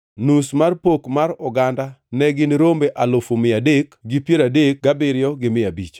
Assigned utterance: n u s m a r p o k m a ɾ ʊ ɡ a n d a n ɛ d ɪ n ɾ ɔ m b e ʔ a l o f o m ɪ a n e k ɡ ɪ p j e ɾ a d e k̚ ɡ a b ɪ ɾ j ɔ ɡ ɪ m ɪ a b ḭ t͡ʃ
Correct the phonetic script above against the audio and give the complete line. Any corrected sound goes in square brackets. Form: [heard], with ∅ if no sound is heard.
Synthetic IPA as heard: n u s m a r p o k m a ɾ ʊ ɡ a n d a n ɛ [ɡ] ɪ n ɾ [o] m b e ʔ a l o f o m ɪ a [d] e k ɡ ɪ p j e ɾ a d e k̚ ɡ a b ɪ ɾ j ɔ ɡ ɪ m ɪ a b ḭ t͡ʃ